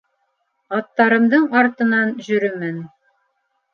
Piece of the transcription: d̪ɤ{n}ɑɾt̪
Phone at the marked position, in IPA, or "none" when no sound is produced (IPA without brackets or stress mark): ɴ